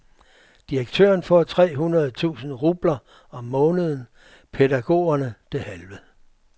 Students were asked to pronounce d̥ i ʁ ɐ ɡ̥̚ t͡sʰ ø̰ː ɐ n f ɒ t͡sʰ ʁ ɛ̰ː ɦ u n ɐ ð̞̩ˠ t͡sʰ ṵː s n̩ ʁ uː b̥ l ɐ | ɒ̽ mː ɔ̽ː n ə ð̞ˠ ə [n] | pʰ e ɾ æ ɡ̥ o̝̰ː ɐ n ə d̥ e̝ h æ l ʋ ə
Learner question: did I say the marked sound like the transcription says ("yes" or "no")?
yes